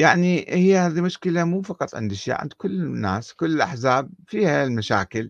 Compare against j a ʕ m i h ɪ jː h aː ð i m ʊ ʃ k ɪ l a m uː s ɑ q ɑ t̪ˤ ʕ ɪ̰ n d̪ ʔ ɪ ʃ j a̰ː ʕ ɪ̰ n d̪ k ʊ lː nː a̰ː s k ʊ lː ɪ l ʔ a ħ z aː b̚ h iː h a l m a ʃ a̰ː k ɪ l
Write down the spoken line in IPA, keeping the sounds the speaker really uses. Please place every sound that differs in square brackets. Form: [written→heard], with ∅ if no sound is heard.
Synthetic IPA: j a ʕ [m→n] i h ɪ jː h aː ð i m ʊ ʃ k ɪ l a m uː [s→f] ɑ q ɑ t̪ˤ ʕ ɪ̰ n d̪ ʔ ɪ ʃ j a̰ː ʕ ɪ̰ n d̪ k ʊ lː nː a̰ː s k ʊ lː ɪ l ʔ a ħ z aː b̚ [h→f] iː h a l m a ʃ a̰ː k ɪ l